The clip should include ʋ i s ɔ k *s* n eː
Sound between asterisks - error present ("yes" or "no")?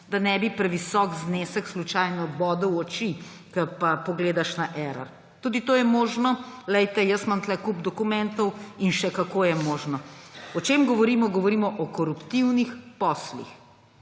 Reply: yes